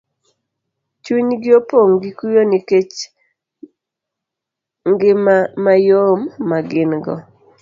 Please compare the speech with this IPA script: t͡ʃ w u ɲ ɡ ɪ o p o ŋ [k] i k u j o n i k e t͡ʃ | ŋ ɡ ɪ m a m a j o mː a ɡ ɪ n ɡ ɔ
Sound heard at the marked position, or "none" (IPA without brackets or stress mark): ɡ